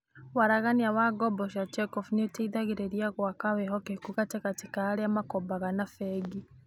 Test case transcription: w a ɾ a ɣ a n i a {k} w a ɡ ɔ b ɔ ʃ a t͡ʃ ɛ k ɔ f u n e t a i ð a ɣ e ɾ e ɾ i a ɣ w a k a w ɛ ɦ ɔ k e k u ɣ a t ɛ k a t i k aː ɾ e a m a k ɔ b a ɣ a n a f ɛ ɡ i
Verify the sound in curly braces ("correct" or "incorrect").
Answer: incorrect